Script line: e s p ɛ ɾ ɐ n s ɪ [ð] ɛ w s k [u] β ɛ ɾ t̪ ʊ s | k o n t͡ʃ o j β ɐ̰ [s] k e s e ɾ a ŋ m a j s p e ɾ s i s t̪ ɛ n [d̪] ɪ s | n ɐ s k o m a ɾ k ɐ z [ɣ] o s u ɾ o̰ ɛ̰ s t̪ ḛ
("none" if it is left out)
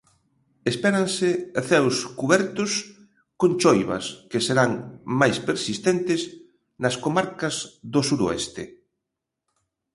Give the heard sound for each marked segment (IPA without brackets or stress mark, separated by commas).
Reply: θ, u, s, t̪, ð